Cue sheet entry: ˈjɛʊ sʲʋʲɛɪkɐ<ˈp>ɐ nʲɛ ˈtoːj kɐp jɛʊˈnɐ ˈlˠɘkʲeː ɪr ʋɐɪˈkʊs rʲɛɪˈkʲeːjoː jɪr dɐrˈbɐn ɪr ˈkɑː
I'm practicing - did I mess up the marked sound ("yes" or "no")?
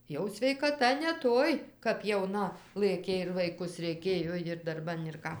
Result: yes